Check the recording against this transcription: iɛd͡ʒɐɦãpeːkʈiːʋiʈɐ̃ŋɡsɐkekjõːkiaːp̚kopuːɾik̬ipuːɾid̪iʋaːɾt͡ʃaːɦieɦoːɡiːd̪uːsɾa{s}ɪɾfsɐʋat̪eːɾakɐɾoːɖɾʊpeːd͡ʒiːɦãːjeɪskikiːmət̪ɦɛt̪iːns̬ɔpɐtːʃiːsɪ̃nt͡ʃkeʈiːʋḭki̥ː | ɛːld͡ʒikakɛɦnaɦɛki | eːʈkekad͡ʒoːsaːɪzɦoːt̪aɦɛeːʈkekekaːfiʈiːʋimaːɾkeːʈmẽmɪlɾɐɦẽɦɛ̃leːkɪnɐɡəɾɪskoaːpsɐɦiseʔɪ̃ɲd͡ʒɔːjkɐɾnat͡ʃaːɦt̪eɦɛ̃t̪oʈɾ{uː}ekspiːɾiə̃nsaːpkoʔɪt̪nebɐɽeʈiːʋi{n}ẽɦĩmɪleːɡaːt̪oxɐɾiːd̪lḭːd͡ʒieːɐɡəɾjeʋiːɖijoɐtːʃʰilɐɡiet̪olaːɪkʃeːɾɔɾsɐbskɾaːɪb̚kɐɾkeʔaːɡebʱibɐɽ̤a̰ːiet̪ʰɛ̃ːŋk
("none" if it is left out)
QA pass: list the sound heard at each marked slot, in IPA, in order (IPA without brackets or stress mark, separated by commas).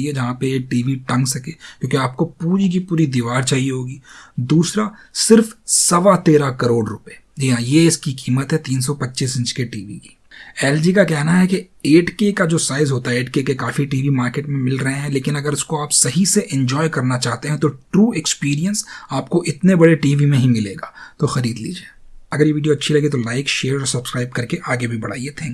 s, uː, m